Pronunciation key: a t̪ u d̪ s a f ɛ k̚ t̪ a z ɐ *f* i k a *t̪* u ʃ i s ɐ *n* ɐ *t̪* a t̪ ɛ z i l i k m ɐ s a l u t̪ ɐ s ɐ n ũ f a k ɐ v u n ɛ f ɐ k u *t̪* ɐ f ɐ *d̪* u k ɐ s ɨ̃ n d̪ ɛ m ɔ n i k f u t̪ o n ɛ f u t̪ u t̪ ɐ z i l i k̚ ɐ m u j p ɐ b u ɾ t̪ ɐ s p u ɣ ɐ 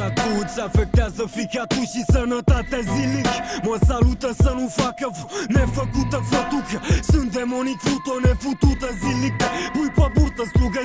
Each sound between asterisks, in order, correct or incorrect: correct, correct, correct, correct, correct, incorrect: t̪

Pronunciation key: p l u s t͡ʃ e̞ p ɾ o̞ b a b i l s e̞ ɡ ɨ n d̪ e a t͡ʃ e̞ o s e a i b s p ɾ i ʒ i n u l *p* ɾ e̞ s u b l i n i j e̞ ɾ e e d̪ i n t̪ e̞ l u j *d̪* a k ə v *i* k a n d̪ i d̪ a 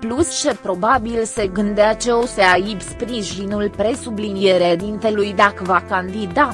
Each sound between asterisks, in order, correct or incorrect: correct, correct, incorrect: a

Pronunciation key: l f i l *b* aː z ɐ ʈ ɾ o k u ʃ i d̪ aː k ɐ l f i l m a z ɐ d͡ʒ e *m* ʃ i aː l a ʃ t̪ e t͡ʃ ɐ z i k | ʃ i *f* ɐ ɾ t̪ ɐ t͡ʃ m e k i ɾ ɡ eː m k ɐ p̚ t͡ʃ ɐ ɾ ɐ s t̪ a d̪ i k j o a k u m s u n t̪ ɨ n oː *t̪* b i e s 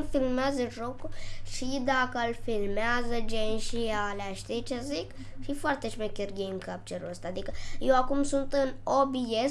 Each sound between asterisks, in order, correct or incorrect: incorrect: m, incorrect: n, correct, incorrect: none

